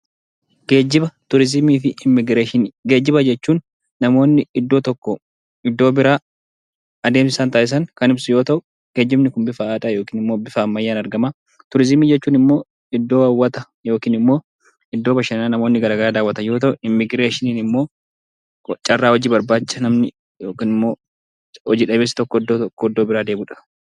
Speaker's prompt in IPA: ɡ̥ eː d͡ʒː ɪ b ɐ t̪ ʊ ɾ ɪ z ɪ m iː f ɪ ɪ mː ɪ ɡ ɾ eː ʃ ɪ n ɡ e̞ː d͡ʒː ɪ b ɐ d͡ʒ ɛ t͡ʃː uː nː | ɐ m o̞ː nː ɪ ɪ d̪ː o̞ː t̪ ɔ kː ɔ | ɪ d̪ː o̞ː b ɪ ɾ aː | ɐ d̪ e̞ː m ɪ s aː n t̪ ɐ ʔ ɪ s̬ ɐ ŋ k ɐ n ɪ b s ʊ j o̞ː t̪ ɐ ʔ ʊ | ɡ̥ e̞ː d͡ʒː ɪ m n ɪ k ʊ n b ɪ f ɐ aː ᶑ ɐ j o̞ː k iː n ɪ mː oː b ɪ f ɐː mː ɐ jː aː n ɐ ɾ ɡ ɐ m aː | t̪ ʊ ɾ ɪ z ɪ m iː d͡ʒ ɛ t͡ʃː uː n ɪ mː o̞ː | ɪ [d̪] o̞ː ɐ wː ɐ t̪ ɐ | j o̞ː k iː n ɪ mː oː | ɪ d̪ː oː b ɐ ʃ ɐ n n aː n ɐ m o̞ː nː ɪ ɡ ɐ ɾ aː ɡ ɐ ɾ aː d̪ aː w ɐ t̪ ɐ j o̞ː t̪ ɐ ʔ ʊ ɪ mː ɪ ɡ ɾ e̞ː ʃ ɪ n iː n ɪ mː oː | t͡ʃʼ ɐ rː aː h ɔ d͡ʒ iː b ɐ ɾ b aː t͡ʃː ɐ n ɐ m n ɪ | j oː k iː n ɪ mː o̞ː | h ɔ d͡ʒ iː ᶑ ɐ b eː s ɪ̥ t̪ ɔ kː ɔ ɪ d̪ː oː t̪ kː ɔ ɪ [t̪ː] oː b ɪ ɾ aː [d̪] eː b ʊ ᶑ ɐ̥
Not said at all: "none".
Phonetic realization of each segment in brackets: d̪ː, d̪ː, d̪

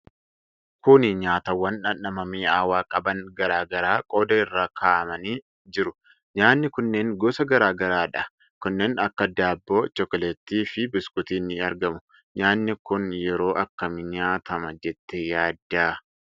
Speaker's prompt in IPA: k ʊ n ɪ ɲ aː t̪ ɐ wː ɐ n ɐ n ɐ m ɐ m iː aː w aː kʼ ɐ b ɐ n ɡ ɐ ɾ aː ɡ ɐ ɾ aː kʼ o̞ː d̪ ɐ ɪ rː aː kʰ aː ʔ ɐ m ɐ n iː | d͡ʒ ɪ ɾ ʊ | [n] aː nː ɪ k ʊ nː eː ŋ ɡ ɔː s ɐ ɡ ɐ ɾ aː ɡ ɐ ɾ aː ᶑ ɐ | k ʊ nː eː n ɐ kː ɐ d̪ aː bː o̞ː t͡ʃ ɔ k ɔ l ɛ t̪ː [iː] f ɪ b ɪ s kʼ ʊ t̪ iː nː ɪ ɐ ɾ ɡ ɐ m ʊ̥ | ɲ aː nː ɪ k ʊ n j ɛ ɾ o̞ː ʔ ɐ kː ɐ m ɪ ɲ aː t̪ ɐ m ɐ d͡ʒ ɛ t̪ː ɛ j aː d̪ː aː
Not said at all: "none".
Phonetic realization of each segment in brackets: ɲ, iː

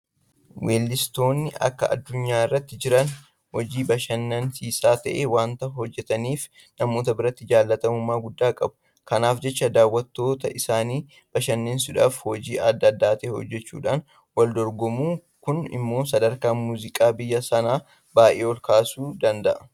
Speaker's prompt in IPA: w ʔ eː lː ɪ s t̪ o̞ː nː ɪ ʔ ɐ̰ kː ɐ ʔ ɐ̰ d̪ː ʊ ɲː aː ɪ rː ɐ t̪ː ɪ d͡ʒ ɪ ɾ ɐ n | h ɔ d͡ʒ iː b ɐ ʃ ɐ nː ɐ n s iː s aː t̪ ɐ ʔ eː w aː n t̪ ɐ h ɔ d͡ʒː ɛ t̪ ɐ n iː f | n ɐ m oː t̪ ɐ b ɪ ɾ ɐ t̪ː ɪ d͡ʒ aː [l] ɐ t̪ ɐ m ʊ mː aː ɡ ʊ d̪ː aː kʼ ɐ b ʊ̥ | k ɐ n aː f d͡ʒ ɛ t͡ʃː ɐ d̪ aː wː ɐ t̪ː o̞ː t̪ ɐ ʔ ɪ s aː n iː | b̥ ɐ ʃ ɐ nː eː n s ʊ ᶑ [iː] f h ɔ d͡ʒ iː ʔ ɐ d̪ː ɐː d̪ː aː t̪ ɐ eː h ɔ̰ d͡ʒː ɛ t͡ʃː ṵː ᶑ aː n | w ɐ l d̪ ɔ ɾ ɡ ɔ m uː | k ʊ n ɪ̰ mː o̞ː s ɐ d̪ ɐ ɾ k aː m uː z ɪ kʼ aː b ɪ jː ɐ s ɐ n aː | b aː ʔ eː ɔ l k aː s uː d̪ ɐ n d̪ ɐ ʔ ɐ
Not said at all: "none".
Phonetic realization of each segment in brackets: lː, aː

